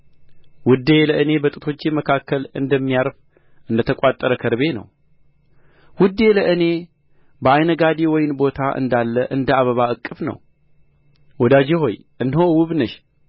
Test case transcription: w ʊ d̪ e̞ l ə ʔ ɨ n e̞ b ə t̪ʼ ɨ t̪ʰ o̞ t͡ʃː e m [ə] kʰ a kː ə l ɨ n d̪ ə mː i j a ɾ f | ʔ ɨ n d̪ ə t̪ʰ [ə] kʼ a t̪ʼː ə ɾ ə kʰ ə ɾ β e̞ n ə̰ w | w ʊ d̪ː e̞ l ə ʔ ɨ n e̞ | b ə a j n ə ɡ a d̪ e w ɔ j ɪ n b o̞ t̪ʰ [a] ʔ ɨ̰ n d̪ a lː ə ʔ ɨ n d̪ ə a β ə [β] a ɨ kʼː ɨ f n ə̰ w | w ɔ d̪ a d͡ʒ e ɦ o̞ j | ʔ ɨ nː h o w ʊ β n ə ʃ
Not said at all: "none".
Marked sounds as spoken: ə, ə, a, β

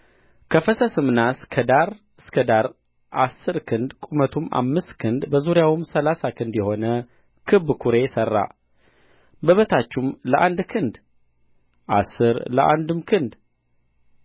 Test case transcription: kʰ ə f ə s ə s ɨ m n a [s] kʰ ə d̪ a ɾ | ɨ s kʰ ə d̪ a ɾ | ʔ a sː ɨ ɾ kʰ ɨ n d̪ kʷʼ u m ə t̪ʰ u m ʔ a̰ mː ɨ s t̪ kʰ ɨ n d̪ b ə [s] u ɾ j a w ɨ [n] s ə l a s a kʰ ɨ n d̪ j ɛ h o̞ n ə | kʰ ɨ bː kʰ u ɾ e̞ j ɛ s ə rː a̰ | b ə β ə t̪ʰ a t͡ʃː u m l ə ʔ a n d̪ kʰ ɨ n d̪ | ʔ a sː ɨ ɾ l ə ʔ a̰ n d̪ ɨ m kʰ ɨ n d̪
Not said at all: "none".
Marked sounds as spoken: s, z, m

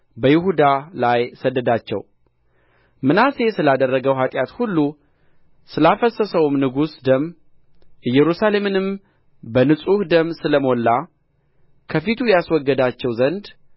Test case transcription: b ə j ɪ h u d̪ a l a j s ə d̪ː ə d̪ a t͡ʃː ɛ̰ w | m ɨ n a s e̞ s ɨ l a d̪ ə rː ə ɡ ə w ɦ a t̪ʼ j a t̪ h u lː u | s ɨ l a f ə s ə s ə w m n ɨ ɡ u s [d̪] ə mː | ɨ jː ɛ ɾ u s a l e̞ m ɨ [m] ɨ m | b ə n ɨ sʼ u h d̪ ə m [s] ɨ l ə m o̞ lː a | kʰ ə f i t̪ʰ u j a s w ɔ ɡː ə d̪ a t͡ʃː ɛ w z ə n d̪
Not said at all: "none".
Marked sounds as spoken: d̪, n, s

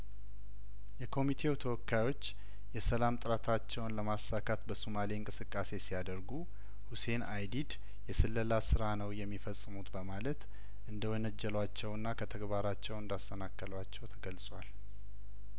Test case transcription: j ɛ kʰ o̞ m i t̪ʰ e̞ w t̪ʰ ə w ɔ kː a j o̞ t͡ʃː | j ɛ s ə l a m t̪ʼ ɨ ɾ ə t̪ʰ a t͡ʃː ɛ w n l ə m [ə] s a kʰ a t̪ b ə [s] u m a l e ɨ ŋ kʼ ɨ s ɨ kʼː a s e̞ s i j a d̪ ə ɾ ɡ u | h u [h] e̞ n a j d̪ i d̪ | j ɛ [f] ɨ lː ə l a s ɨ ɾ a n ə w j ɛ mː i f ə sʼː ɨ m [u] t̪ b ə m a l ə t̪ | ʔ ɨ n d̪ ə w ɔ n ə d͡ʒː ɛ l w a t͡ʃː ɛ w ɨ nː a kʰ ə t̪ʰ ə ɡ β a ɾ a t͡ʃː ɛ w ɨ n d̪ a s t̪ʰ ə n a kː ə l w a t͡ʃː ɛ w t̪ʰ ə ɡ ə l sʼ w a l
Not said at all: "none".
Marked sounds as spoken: a, s, s, s, u

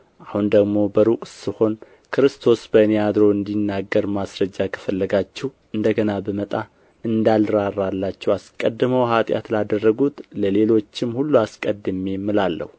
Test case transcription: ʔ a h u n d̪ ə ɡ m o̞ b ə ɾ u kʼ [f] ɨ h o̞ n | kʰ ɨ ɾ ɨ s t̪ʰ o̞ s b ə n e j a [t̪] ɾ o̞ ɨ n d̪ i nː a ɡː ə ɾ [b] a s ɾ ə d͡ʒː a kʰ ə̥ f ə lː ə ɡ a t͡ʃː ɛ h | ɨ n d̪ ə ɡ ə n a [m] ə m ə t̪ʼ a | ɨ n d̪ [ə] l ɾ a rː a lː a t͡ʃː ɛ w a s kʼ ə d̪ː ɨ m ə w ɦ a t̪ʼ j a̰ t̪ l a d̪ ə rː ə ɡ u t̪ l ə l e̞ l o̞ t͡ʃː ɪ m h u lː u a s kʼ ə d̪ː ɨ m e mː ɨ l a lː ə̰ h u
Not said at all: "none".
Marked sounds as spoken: s, d̪, m, b, a

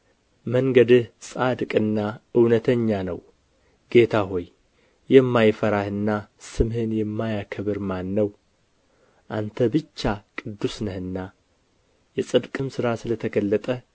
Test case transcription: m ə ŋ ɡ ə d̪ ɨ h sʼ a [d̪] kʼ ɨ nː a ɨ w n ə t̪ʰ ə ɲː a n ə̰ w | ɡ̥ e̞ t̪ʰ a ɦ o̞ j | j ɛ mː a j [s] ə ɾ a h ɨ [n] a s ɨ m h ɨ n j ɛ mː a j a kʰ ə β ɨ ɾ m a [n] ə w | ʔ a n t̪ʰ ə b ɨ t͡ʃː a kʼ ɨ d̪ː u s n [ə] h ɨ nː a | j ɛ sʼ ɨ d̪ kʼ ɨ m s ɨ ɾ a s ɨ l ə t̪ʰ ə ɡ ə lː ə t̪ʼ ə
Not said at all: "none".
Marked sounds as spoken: d̪, f, nː, nː, ə

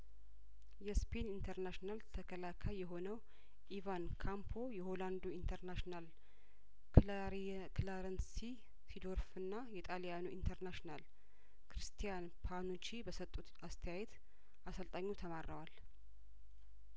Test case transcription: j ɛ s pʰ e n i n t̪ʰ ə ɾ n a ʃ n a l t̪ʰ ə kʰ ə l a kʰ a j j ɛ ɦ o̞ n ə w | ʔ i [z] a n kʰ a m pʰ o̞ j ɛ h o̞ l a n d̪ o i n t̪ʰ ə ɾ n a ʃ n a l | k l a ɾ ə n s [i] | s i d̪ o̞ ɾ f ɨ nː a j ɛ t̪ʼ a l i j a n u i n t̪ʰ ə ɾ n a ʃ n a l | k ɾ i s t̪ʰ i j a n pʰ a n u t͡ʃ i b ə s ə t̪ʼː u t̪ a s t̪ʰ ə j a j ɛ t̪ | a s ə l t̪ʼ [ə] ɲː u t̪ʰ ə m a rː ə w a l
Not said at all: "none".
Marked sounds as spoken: v, i, a

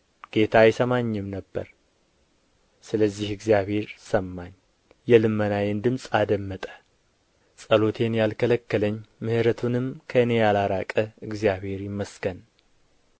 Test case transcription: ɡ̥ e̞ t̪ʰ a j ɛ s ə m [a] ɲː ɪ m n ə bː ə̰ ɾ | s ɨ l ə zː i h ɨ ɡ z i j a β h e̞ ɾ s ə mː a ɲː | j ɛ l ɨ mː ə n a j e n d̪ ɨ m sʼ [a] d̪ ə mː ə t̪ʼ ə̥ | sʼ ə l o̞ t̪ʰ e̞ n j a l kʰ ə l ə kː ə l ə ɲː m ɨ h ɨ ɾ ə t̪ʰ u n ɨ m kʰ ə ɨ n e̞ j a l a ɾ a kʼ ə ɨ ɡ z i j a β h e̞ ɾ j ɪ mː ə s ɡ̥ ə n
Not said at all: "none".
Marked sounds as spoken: a, a

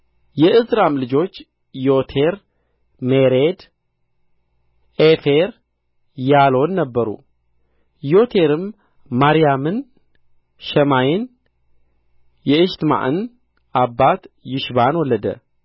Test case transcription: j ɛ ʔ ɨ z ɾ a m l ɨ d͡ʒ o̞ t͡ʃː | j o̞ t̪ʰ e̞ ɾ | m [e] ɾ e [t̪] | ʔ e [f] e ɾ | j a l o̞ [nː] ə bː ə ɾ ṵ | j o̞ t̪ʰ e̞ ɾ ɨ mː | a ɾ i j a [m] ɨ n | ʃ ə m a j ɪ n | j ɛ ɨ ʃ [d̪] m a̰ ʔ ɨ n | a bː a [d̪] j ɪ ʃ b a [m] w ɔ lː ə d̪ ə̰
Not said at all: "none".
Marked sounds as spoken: e, d̪, f, nː, m, t̪, t̪, n

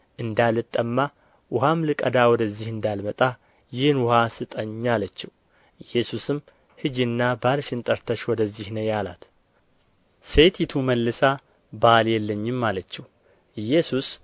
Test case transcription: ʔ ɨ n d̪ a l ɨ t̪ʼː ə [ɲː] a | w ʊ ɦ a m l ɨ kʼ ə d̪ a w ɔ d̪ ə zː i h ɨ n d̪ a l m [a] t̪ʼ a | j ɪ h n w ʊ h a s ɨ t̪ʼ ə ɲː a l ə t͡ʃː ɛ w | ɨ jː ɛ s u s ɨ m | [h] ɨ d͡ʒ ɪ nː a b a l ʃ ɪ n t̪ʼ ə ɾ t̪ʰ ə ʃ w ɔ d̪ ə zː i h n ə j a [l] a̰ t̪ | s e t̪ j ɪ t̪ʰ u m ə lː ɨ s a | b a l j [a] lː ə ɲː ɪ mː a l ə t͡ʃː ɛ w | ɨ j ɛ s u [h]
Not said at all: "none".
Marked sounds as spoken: mː, ə, h, l, ɛ, s

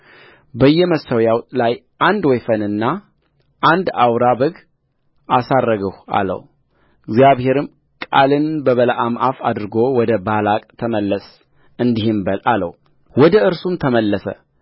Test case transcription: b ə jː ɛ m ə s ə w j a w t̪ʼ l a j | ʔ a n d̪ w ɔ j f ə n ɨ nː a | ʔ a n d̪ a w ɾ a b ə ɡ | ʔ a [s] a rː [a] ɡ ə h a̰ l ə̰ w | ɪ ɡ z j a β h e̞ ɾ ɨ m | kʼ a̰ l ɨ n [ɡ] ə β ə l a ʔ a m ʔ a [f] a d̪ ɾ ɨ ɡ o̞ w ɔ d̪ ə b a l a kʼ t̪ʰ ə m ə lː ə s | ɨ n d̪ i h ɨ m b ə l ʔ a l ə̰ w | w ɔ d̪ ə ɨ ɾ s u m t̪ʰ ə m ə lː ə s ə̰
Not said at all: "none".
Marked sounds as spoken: s, ə, b, f

